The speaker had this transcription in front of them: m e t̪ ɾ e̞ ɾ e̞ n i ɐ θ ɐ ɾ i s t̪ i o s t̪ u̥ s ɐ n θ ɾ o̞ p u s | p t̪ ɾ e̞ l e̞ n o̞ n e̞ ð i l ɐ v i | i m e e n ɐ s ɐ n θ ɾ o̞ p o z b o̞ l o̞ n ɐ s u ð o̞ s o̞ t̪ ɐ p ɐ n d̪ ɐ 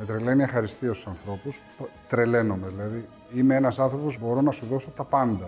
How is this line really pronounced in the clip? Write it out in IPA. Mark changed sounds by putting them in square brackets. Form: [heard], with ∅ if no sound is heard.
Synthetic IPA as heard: m e t̪ ɾ e̞ [l] e̞ n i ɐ [x] ɐ ɾ i s t̪ i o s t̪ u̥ s ɐ n θ ɾ o̞ p u s | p t̪ ɾ e̞ l e̞ n o̞ [m] e̞ ð i l ɐ [ð] i | i m e e n ɐ s ɐ n θ ɾ o̞ p o z b o̞ [ɾ] o̞ n ɐ s u ð o̞ s o̞ t̪ ɐ p ɐ n d̪ ɐ